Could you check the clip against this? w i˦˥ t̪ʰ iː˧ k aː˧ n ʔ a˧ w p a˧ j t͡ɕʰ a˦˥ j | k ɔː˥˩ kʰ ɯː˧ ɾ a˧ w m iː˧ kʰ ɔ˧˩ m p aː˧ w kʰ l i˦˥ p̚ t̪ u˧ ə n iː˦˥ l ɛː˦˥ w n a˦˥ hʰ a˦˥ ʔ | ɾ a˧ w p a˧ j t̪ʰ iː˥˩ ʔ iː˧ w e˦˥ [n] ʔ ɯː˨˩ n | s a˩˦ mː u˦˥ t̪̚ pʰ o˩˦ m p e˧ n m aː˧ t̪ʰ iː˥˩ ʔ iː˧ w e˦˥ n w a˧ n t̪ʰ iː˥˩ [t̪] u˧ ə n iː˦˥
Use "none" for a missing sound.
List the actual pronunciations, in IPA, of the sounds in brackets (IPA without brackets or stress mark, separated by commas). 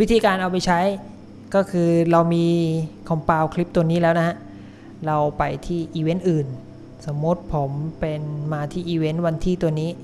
n, t̪